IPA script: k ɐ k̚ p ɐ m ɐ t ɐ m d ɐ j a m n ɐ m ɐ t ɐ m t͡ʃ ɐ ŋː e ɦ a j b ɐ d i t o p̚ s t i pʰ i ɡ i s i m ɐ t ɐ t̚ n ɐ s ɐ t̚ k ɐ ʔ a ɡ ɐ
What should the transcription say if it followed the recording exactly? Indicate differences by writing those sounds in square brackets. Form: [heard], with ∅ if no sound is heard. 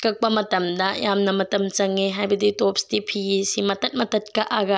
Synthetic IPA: k ɐ k̚ p ɐ m ɐ t ɐ m d ɐ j a m n ɐ m ɐ t ɐ m t͡ʃ ɐ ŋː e ɦ a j b ɐ d i t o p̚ s t i pʰ i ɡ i s i m ɐ t ɐ t̚ [m] ɐ [t] ɐ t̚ k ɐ ʔ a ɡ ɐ